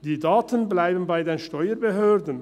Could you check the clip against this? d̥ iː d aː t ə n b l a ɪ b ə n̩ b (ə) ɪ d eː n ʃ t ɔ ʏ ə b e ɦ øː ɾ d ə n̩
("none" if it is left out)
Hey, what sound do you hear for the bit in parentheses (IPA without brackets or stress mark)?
a